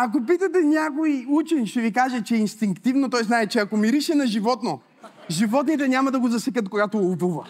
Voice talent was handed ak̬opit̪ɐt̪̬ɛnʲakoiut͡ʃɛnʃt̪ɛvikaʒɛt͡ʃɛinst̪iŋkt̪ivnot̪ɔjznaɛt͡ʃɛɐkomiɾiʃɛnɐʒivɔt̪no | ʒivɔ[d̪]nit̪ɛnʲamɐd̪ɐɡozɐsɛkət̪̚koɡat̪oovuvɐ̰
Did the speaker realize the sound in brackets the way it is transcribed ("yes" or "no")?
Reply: no